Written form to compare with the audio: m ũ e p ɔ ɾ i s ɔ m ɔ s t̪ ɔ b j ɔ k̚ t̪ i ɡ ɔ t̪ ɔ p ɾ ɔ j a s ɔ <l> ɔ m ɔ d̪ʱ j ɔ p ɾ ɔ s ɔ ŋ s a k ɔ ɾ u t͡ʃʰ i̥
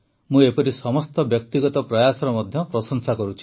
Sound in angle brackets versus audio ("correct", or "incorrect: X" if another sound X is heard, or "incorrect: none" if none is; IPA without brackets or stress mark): incorrect: ɾ